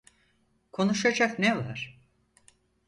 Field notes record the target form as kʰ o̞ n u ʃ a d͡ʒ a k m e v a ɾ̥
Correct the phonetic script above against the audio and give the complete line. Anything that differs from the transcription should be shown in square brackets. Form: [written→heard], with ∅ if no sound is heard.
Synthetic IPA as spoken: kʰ o̞ n u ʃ a d͡ʒ a k [m→n] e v a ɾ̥